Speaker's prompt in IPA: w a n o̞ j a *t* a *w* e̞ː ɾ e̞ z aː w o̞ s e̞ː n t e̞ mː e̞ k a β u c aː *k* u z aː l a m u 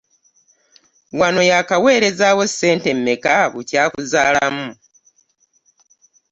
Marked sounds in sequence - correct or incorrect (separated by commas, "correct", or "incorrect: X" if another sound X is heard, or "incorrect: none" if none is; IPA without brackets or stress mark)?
incorrect: k, correct, correct